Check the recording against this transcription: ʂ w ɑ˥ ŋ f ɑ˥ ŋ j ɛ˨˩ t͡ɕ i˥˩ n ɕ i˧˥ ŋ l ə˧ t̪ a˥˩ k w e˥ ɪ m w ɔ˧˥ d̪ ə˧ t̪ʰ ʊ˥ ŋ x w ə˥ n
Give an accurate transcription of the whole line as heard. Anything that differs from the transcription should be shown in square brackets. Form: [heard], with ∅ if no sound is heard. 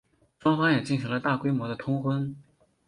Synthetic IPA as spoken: ʂ w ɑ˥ ŋ f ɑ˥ ŋ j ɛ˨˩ t͡ɕ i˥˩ n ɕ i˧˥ ŋ l ə˧ t̪ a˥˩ k w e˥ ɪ m w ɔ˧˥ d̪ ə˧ t̪ʰ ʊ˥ ŋ x w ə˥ n